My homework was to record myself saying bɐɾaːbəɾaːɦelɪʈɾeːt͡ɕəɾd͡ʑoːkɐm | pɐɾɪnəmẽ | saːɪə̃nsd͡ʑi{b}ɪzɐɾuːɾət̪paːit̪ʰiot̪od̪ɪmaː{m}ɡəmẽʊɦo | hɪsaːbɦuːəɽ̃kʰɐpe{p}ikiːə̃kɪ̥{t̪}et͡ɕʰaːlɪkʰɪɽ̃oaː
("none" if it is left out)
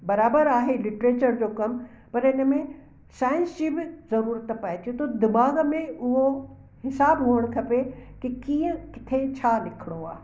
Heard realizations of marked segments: b, none, k, t̪ʰ

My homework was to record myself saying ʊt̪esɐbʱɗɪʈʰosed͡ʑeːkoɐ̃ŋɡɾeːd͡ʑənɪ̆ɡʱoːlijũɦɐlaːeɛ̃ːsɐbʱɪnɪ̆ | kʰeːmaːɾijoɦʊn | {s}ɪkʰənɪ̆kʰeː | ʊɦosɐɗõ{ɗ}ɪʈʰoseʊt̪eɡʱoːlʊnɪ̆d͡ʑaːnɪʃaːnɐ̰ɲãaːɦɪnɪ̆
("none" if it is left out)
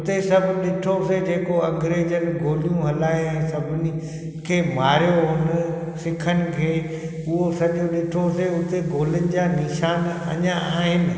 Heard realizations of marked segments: s, ɗ

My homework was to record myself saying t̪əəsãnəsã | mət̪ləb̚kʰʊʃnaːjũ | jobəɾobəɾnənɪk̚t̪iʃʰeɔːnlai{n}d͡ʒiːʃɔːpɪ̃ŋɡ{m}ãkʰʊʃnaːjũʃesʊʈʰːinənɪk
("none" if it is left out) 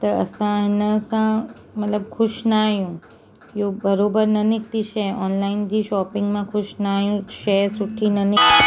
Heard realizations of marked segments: n, m

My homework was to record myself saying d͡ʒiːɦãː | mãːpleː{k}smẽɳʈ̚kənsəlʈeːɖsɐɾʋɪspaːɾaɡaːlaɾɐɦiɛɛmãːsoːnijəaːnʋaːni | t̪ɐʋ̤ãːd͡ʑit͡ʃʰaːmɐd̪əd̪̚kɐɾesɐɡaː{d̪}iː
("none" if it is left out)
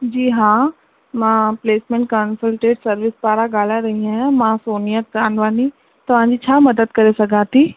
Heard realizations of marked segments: none, t̪

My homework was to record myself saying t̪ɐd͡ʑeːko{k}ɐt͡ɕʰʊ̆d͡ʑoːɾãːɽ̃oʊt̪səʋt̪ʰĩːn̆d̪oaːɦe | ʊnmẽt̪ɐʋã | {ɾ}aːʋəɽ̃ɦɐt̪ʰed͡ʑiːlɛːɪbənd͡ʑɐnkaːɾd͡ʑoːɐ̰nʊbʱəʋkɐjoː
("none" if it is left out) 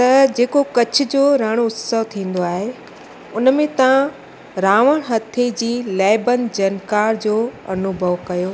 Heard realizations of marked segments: k, ɾ

